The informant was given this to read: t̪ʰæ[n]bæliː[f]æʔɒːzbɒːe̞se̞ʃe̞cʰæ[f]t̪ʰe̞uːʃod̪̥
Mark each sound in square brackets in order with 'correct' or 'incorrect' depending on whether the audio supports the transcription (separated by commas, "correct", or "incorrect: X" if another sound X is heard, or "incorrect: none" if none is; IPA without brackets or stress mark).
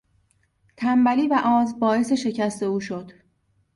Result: incorrect: m, incorrect: v, incorrect: s